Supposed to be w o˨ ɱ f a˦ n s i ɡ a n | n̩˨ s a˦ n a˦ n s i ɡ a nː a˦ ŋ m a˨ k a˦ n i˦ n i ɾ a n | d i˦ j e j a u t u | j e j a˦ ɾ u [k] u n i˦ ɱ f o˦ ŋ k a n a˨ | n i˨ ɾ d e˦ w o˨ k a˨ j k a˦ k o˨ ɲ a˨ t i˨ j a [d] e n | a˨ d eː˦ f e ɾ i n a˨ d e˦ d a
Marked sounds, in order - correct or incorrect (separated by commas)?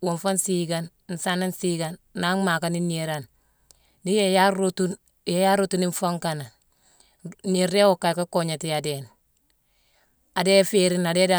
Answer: incorrect, correct